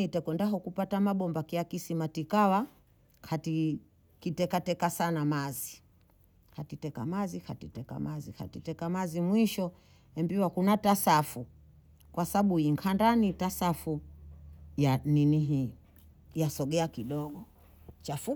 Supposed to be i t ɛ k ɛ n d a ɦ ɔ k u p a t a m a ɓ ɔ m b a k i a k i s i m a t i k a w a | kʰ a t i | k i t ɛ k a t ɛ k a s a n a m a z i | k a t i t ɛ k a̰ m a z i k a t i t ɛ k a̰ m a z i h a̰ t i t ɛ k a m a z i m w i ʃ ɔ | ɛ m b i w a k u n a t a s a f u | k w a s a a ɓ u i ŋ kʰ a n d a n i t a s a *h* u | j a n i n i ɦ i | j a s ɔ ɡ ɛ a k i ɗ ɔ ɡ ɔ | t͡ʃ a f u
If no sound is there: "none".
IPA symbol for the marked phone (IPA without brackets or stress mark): f